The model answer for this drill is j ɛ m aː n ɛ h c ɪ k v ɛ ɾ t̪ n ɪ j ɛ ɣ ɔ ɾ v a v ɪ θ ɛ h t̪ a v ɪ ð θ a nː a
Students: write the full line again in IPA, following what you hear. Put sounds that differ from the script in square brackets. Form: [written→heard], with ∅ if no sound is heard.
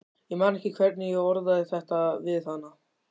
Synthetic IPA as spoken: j ɛ m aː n ɛ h c ɪ [k→kʰ] v ɛ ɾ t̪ n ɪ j ɛ ɣ ɔ ɾ [v→ð] a [v→ð] ɪ θ ɛ h t̪ a v ɪ ð θ a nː a